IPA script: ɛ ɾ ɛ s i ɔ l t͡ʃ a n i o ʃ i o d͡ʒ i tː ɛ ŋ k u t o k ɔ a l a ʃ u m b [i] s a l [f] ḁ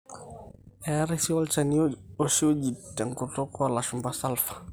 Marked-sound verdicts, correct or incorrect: incorrect, correct

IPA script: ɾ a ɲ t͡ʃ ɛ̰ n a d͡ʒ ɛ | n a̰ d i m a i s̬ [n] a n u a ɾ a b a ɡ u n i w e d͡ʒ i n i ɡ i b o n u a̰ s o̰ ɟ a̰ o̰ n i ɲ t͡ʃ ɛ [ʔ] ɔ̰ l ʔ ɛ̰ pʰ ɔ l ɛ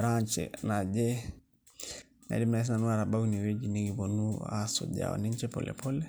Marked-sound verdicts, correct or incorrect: correct, incorrect

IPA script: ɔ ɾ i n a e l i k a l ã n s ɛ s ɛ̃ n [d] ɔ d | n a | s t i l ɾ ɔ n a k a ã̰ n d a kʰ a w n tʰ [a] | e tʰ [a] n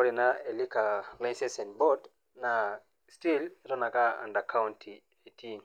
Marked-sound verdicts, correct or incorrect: incorrect, incorrect, incorrect

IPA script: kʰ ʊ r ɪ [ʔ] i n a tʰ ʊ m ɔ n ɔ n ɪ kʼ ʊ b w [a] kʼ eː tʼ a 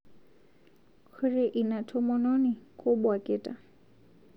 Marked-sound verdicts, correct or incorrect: correct, correct

